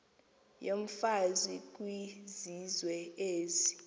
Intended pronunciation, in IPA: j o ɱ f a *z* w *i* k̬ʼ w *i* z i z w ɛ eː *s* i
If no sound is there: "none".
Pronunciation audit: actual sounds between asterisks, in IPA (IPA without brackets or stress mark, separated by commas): z, i, i, z